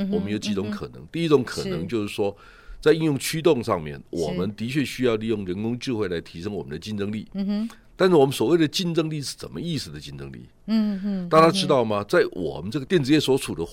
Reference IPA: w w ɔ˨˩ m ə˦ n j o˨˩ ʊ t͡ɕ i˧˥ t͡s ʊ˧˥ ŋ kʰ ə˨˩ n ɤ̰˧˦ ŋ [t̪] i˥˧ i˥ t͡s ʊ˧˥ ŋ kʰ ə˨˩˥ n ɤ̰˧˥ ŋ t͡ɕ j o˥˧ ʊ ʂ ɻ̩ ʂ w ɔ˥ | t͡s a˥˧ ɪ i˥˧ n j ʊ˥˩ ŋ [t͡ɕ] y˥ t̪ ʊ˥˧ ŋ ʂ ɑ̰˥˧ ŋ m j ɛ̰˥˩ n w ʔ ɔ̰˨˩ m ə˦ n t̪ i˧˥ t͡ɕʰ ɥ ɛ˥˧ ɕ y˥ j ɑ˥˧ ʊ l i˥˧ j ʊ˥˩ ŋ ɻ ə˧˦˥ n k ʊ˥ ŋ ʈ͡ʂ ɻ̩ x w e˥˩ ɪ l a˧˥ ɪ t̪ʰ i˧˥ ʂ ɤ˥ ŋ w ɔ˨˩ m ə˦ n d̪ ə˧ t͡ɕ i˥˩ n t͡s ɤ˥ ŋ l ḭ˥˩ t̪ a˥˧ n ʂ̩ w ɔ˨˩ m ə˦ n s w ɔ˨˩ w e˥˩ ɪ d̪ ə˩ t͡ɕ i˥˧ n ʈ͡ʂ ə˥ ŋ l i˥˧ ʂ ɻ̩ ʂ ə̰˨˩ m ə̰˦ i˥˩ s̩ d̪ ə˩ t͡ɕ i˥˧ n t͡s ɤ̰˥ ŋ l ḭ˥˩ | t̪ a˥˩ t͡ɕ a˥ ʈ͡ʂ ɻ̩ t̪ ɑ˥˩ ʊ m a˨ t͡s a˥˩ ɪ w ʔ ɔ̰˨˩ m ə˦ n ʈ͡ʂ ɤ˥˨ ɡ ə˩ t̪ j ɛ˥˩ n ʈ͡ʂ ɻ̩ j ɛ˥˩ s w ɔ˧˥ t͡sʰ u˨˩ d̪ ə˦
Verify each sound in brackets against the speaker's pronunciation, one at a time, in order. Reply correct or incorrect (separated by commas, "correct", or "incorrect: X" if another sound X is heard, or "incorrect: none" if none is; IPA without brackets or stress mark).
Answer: correct, incorrect: t͡ɕʰ